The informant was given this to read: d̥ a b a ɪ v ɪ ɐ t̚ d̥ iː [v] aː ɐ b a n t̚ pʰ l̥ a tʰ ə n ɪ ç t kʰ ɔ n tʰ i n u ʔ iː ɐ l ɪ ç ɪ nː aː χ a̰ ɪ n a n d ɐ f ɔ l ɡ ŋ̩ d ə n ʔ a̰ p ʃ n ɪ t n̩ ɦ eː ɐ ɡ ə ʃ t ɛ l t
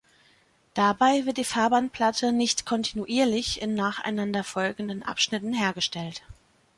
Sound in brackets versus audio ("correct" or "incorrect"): incorrect